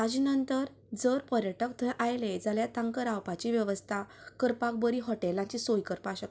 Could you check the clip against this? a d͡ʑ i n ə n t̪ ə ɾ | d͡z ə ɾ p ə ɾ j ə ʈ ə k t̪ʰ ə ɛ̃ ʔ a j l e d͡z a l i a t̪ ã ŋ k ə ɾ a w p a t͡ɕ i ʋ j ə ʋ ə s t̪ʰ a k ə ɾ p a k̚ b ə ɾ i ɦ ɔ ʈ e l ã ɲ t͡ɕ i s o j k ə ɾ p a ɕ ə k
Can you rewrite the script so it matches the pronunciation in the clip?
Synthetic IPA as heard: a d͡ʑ i n ə n t̪ ə ɾ | d͡z ə ɾ p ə ɾ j ə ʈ ə k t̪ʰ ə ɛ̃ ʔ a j l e d͡z a l j a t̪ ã ŋ k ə ɾ a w p a t͡ɕ i ʋ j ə ʋ ə s t̪ʰ a k ə ɾ p a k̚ b ə ɾ i ɦ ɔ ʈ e l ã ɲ t͡ɕ i s o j k ə ɾ p a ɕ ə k